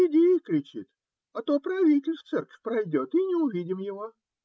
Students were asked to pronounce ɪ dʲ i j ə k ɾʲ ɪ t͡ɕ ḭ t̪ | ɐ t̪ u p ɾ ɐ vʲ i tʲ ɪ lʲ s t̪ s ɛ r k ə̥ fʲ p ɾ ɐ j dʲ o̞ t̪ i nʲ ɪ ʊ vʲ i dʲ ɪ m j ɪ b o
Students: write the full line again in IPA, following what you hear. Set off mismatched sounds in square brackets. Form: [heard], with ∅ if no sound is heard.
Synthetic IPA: ɪ dʲ [e] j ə k ɾʲ ɪ t͡ɕ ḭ t̪ | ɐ t̪ [o] p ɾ ɐ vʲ i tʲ ɪ lʲ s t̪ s ɛ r k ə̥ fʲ p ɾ ɐ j dʲ o̞ t̪ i nʲ ɪ ʊ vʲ i dʲ ɪ m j ɪ [v] o